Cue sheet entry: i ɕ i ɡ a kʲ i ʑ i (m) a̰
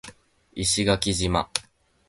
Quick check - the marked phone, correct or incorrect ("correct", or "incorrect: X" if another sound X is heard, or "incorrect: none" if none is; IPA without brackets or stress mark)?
correct